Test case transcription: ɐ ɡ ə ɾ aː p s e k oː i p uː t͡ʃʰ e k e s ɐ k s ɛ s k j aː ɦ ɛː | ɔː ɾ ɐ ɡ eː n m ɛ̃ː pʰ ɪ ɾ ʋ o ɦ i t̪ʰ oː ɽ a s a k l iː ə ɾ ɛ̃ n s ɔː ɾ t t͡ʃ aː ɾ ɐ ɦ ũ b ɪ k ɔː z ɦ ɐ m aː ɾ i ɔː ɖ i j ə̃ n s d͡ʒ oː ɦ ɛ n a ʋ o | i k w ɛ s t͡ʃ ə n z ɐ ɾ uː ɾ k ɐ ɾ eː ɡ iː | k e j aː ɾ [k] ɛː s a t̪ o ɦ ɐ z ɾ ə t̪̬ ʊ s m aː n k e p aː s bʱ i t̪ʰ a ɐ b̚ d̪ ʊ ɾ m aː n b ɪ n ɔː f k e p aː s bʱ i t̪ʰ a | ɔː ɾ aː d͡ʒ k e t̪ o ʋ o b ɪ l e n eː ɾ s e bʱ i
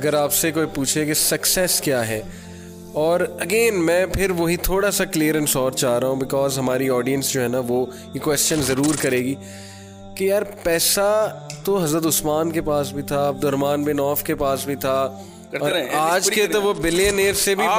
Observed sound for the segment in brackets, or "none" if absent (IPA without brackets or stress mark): p